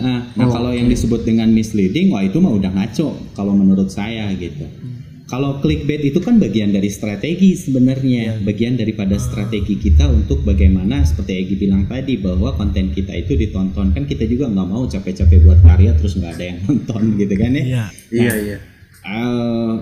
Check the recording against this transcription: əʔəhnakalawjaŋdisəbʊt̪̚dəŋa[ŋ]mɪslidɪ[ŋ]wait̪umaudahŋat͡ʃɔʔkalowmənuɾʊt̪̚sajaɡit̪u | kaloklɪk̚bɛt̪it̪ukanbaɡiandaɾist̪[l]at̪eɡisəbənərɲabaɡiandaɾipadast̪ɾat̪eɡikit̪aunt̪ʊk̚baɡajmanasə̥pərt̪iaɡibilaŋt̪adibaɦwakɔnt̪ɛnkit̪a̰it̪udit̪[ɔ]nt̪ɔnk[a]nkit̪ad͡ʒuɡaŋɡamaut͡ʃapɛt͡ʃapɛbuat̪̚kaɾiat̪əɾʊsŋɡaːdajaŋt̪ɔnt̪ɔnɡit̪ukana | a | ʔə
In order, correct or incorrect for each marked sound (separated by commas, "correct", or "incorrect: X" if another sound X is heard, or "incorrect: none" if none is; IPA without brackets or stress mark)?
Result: incorrect: n, correct, incorrect: ɾ, correct, correct